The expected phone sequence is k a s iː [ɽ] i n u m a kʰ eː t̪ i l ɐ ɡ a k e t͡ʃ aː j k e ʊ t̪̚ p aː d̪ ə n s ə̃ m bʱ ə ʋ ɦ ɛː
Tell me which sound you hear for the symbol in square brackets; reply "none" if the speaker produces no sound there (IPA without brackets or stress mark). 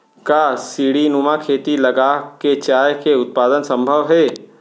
ɽ